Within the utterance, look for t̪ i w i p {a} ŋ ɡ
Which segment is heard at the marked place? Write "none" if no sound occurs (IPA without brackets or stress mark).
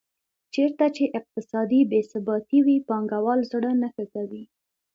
ɑ